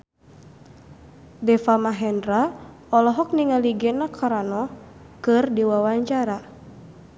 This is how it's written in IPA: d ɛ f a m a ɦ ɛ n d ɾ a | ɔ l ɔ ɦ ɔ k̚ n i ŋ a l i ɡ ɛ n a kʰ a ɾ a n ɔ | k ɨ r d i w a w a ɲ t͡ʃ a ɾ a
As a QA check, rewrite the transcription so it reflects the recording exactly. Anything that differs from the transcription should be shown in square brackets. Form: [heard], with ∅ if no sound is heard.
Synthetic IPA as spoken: d ɛ f a m a ɦ ɛ n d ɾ a | ɔ l ɔ ɦ ɔ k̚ n i ŋ a l i ɡ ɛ n a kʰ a ɾ a n ɔ | k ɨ r d i w a w a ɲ t͡ʃ a ɾ a